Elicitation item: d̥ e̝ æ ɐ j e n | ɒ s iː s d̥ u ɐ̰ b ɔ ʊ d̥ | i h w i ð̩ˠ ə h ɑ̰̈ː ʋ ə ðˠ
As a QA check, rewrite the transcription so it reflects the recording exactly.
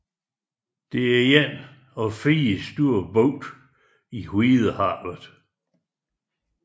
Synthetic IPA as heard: d̥ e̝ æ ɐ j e n | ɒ f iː s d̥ u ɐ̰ b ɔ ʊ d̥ | i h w i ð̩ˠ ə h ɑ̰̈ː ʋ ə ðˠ

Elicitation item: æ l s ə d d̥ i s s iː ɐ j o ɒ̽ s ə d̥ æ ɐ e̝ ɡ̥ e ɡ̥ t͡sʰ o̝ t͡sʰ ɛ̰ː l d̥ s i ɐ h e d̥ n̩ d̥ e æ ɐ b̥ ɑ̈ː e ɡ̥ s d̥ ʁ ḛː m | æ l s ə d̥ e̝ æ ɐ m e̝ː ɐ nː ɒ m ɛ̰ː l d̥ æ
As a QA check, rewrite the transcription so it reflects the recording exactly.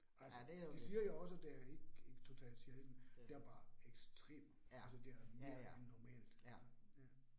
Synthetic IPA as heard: æ l s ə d d̥ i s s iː ɐ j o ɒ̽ s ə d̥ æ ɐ e̝ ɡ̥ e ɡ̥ t͡sʰ o̝ t͡sʰ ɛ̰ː l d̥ s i ɐ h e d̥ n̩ d̥ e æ ɐ b̥ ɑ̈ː e ɡ̥ s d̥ ʁ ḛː m | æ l s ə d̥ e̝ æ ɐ m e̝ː ɐ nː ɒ m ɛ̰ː l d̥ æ

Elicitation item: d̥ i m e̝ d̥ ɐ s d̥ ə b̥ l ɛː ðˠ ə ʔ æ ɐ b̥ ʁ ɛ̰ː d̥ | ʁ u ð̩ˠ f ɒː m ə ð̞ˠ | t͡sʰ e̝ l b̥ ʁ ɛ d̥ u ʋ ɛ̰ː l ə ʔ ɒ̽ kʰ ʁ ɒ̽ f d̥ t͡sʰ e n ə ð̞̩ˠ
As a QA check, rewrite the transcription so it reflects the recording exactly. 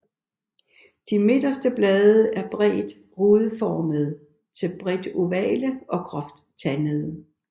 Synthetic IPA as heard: d̥ i m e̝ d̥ ɐ s d̥ ə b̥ l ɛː ðˠ ə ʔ æ ɐ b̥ ʁ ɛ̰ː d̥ | ʁ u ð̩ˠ f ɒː m ə ð̞ˠ | t͡sʰ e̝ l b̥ ʁ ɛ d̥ u ʋ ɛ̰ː l ə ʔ ɒ̽ kʰ ʁ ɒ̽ f d̥ t͡sʰ æ n ə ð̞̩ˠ

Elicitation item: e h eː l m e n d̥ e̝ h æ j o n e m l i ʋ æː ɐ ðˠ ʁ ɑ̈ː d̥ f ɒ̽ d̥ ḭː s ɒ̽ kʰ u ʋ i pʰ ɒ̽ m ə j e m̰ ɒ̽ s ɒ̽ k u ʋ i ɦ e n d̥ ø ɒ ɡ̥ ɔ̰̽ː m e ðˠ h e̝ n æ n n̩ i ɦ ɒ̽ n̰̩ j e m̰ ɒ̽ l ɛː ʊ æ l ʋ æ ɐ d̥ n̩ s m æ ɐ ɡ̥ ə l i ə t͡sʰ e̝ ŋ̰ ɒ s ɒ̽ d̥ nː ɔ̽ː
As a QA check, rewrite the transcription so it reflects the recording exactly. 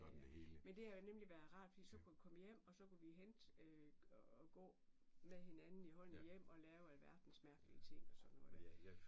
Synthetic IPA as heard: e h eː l m e n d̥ e̝ h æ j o n e m l i ʋ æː ɐ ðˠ ʁ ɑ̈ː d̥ f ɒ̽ d̥ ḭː s ɒ̽ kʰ u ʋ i kʰ ɒ̽ m ə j e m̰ ɒ̽ s ɒ̽ k u ʋ i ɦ e n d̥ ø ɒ ɡ̥ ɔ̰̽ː m e ðˠ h e̝ n æ n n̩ i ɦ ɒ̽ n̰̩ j e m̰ ɒ̽ l ɛː ʊ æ l ʋ æ ɐ d̥ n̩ s m æ ɐ ɡ̥ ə l i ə t͡sʰ e̝ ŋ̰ ɒ s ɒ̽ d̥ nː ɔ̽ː

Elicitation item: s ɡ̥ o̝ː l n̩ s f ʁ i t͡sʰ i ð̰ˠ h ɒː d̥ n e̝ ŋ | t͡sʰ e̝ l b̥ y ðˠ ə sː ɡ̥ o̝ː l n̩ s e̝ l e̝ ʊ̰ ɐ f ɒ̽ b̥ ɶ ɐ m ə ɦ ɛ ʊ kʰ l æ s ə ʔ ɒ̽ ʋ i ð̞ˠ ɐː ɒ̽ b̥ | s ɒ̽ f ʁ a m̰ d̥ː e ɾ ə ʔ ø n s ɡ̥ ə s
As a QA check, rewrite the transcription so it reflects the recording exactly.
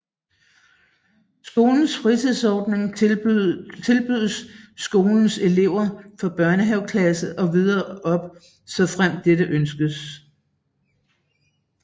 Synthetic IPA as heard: s ɡ̥ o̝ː l n̩ s f ʁ i t͡sʰ i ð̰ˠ s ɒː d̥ n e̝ ŋ | t͡sʰ e̝ l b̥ y ðˠ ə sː ɡ̥ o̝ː l n̩ s e̝ l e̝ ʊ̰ ɐ f ɒ̽ b̥ ɶ ɐ n ə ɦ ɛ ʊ kʰ l æ s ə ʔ ɒ̽ ʋ i ð̞ˠ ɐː ɒ̽ b̥ | s ɒ̽ f ʁ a m̰ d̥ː e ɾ ə ʔ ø n s ɡ̥ ə s

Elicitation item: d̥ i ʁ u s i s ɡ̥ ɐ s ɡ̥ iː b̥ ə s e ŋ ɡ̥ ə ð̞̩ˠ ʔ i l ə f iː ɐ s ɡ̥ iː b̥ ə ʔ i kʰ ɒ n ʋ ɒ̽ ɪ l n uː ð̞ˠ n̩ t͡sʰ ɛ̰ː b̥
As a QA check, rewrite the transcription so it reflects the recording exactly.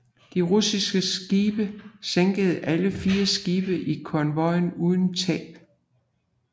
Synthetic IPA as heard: d̥ i ʁ u s i s ɡ̥ ə s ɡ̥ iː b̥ ə s e ŋ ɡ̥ ə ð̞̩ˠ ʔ æ l ə f iː ɐ s ɡ̥ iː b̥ ə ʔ i kʰ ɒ n ʋ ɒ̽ ɪ n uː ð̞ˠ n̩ t͡sʰ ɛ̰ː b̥

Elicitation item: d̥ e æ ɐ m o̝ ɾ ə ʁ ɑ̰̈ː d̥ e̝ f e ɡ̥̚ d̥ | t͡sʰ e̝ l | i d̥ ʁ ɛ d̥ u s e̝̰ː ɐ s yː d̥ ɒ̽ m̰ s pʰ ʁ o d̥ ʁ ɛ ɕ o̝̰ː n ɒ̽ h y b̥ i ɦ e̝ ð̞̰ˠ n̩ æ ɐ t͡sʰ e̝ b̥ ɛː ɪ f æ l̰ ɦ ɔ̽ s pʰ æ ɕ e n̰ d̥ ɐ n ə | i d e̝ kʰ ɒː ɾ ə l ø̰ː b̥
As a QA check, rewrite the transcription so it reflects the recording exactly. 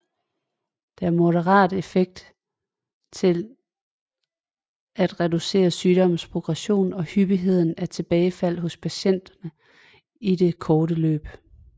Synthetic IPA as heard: d̥ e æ ɐ m o̝ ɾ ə ʁ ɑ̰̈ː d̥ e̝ f e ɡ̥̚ d̥ | t͡sʰ e̝ l | æ d̥ ʁ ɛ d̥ u s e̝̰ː ɐ s yː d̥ ɒ̽ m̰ s pʰ ʁ o ɡ̥ ʁ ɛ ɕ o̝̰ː n ɒ̽ h y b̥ i ɦ e̝ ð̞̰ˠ n̩ æ ɐ t͡sʰ e̝ b̥ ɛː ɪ f æ l̰ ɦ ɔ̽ s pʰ æ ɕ e n̰ d̥ ɐ n ə | i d e̝ kʰ ɒː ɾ ə l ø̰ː b̥

